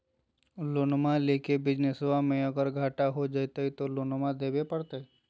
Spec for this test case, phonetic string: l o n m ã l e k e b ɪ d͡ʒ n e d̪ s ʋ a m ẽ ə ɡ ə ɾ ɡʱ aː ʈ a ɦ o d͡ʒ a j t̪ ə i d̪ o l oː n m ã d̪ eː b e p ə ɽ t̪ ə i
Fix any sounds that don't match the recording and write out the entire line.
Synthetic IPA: l o n m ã l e k e b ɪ d͡ʒ n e s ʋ a m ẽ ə ɡ ə ɾ ɡʱ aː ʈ a ɦ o d͡ʒ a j t̪ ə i t̪ o l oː n m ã d̪ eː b e p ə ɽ t̪ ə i